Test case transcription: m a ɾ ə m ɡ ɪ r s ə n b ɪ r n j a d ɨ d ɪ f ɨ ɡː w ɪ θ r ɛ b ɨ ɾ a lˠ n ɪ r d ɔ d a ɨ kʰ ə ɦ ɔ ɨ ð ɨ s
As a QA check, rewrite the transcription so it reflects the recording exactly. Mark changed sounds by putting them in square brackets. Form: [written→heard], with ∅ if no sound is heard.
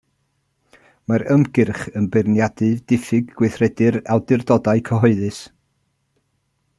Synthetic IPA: m a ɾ ə m ɡ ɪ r [s→χ] ə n b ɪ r n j a d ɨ d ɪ f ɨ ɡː w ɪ θ r ɛ [b→d] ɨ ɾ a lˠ [n→d] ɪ r d ɔ d a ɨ kʰ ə ɦ ɔ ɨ ð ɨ s